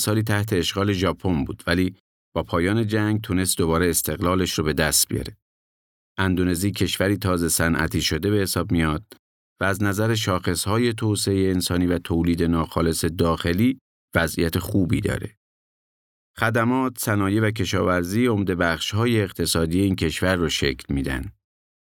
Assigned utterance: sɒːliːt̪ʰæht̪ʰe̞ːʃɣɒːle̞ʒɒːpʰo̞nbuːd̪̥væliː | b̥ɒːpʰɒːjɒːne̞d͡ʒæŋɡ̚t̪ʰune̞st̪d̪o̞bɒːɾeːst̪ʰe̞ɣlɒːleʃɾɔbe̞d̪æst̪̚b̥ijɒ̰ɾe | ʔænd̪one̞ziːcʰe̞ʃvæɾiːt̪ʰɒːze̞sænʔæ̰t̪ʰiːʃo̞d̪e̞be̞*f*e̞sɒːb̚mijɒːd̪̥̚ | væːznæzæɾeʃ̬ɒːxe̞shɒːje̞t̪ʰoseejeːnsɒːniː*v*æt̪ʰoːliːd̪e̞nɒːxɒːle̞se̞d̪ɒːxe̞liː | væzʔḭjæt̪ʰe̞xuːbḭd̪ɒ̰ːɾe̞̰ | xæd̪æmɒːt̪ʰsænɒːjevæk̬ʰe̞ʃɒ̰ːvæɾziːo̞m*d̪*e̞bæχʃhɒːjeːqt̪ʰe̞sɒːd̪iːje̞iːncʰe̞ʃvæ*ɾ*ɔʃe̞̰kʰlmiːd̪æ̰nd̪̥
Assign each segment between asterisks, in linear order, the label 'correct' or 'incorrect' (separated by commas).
incorrect, correct, correct, incorrect